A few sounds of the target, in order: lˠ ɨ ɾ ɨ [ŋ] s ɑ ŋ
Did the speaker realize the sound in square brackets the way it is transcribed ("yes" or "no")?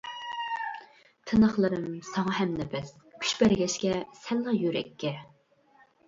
no